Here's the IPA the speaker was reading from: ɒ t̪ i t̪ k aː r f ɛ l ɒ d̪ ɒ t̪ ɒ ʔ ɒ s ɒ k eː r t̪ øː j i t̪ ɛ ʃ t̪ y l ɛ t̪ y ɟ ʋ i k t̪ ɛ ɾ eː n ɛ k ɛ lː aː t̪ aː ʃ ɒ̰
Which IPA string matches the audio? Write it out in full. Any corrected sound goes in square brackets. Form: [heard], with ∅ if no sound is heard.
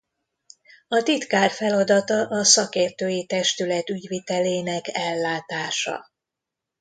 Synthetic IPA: ɒ t̪ i t̪ k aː r f ɛ l ɒ d̪ ɒ t̪ ɒ ʔ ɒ s ɒ k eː r t̪ øː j i t̪ ɛ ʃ t̪ y l ɛ t̪ y ɟ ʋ i [∅] t̪ ɛ [l] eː n ɛ k ɛ lː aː t̪ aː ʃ ɒ̰